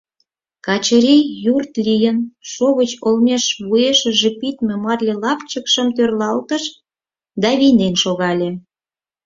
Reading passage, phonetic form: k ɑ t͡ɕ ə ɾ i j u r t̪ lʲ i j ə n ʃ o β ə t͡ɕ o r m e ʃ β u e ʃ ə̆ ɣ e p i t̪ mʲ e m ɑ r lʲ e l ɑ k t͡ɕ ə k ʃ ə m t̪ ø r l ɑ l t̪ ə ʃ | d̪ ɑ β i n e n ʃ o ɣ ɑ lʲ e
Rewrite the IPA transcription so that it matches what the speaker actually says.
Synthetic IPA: k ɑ t͡ɕ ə ɾ i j u r t̪ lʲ i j ə n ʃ o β ə t͡ɕ o l m e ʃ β u e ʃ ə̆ ʒ e p i t̪ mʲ e m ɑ r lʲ e l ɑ p t͡ɕ ə k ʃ ə m t̪ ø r l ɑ l t̪ ə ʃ | d̪ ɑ β i n e n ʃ o ɣ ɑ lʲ e